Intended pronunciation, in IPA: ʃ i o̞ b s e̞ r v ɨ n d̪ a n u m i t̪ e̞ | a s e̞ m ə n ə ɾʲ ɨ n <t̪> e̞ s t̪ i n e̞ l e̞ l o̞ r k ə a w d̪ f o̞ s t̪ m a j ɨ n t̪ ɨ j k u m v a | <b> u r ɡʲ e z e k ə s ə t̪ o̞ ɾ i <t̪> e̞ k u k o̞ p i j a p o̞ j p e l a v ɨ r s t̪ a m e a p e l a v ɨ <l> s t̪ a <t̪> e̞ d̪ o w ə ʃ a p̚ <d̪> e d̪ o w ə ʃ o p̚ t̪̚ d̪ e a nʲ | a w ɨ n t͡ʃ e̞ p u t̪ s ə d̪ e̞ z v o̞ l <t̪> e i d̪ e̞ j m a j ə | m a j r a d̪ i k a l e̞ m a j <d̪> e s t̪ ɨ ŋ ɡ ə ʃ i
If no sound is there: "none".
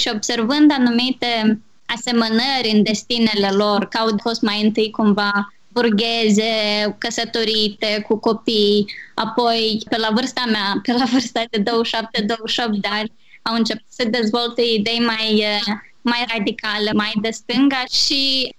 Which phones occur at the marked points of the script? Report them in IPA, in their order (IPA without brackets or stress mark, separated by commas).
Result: d̪, b, t̪, r, d̪, t̪, t̪, d̪